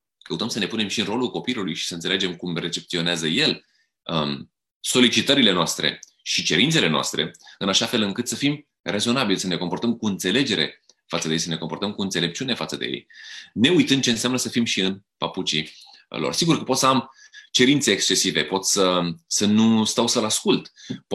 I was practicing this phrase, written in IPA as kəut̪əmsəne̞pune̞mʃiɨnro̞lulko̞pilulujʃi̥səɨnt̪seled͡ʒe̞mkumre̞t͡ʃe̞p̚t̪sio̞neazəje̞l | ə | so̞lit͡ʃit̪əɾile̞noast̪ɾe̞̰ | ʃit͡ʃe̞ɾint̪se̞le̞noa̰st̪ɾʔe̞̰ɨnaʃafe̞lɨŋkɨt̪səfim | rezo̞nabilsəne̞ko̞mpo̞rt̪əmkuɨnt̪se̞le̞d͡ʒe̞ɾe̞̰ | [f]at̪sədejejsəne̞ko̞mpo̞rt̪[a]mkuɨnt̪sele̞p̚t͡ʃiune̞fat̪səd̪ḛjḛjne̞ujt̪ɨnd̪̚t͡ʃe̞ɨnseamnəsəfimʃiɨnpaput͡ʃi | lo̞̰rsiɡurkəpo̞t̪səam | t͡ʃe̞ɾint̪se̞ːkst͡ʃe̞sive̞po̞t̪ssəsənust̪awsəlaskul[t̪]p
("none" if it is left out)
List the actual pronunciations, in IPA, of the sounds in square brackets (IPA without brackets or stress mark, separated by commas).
f, ə, t̪